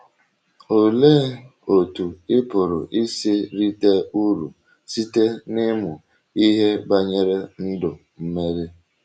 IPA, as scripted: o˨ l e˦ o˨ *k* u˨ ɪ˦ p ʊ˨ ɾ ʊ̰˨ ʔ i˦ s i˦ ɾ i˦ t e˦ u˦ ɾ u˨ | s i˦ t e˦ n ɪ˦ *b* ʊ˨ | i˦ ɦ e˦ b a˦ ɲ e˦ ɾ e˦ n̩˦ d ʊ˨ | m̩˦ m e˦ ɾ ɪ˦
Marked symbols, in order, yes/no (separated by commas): no, no